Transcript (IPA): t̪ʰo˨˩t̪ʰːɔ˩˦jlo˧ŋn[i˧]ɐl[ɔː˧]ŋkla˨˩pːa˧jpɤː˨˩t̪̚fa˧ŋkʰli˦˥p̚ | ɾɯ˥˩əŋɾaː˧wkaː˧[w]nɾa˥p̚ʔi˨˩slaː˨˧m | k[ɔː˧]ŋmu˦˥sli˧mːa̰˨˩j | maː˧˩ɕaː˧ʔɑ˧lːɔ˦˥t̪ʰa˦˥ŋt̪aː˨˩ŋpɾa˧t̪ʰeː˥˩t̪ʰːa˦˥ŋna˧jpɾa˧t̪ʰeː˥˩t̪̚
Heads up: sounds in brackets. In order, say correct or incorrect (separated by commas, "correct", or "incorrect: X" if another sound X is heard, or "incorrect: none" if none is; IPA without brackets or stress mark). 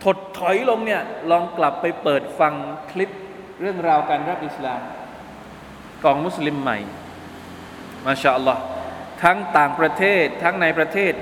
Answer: incorrect: i˥˩, correct, incorrect: none, correct